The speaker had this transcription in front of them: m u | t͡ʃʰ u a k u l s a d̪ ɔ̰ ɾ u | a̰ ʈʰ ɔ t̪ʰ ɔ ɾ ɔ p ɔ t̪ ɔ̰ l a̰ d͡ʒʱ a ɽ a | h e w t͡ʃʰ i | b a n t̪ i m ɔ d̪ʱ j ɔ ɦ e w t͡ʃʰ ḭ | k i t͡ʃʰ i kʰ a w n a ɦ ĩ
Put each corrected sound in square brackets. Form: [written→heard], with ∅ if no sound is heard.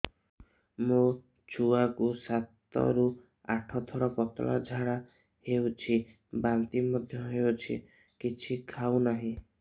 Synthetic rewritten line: m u | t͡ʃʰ u a k u [l→∅] s a [d̪→t̪] ɔ̰ ɾ u | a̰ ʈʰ ɔ t̪ʰ ɔ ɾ ɔ p ɔ t̪ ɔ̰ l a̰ d͡ʒʱ a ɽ a | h e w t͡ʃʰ i | b a n t̪ i m ɔ d̪ʱ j ɔ ɦ e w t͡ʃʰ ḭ | k i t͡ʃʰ i kʰ a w n a ɦ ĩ